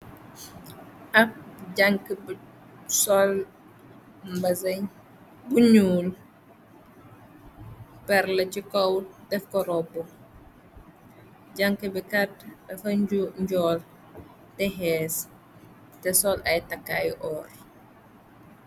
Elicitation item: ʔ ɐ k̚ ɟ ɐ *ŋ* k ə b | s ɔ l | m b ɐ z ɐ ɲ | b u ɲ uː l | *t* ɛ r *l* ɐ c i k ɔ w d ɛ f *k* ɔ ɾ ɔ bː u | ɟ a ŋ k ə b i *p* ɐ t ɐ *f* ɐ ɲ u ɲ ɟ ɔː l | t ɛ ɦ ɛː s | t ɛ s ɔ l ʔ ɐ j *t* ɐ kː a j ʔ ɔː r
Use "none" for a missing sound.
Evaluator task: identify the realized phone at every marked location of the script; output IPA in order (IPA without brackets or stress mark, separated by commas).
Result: ŋ, p, l, k, k, f, t